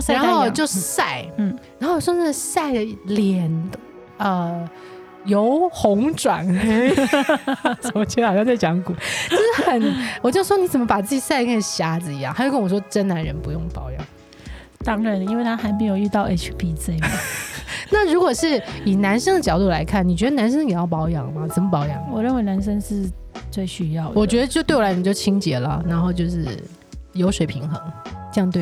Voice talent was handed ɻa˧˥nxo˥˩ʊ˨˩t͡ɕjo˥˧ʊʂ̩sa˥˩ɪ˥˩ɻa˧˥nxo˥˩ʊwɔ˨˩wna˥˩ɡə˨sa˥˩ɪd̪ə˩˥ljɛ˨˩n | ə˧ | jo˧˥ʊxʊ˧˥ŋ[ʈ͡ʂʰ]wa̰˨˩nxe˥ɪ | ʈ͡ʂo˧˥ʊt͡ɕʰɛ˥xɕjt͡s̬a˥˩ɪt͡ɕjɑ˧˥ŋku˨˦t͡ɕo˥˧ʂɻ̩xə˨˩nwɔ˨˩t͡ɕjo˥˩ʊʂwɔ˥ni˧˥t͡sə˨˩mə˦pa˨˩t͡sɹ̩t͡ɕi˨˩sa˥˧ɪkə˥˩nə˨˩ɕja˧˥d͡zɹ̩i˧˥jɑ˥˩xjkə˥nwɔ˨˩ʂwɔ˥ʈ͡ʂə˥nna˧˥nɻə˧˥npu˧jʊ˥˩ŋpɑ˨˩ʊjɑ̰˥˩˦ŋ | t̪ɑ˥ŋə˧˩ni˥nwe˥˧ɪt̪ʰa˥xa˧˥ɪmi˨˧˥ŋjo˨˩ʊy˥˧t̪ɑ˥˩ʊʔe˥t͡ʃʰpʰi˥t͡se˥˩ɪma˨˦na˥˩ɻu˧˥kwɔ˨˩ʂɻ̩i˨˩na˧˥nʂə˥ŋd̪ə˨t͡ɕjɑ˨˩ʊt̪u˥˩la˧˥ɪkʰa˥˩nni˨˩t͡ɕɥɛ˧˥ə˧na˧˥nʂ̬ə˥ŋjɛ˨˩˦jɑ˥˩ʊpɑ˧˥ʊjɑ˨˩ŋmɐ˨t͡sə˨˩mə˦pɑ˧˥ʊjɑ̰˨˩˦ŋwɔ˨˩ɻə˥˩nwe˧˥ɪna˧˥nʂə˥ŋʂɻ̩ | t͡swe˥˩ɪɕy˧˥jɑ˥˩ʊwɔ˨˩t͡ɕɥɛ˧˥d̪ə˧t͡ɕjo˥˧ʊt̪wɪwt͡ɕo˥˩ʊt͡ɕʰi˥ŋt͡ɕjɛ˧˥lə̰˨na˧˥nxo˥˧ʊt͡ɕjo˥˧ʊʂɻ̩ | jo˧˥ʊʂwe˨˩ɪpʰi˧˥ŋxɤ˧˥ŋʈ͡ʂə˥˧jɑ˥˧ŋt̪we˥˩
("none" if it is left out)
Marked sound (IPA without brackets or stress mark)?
ʈ͡ʂ